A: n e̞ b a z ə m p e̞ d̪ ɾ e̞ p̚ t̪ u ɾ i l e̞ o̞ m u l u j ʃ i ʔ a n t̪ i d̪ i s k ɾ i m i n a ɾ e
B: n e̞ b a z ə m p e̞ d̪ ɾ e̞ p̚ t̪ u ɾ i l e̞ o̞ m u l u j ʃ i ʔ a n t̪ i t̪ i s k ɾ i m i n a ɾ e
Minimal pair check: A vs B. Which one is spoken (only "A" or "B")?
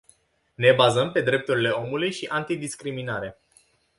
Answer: A